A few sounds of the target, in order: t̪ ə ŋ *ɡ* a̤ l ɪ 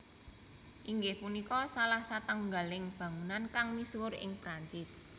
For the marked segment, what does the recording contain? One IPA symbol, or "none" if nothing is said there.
ɡ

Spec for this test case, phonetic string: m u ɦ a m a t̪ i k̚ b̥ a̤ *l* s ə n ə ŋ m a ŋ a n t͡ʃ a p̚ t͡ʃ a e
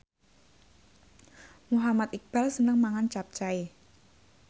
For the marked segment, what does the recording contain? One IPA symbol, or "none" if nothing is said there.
l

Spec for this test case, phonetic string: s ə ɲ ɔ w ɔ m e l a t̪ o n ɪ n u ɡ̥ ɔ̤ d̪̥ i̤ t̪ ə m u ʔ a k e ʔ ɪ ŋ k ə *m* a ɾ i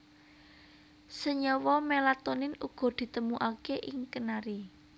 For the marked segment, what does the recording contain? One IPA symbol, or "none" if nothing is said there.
n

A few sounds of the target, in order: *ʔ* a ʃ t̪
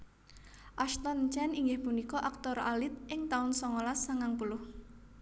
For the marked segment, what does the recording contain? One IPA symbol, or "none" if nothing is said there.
ʔ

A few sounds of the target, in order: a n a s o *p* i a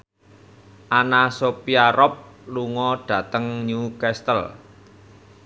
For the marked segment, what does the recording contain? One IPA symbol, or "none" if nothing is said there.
p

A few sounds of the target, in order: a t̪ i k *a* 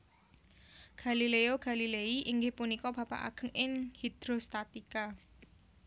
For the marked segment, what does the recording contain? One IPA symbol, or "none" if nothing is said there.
a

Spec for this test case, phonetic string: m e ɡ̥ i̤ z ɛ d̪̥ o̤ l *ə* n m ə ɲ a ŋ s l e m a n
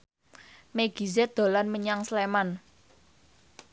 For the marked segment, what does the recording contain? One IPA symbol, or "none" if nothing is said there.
a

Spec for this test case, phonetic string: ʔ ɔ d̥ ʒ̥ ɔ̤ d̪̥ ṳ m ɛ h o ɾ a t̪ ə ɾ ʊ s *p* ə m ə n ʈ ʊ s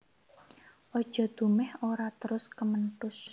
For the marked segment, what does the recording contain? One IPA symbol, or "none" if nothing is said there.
k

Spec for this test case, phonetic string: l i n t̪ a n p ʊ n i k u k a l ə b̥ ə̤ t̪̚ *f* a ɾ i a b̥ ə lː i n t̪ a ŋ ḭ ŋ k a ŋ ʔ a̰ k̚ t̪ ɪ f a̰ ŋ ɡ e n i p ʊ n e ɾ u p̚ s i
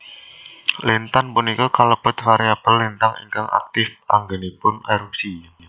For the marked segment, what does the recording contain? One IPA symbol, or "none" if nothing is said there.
f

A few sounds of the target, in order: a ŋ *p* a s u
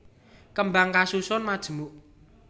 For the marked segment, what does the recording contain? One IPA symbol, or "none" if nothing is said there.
k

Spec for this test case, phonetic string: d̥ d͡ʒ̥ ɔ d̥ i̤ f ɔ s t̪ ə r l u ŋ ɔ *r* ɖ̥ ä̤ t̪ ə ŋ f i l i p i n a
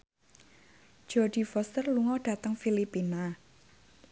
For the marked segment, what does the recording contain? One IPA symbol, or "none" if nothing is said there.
none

